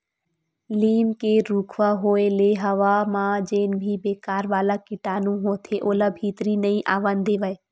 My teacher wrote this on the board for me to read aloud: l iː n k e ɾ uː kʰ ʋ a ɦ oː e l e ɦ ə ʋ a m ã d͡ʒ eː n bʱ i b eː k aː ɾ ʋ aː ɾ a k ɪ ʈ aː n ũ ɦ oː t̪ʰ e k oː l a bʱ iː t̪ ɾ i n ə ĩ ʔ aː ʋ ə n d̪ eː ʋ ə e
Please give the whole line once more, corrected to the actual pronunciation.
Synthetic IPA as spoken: l iː m k e ɾ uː kʰ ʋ a ɦ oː e l e ɦ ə ʋ a m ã d͡ʒ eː n bʱ i b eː k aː ɾ ʋ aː l a k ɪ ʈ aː n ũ ɦ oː t̪ʰ e ʔ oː l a bʱ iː t̪ ɾ i n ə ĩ ʔ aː ʋ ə n d̪ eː ʋ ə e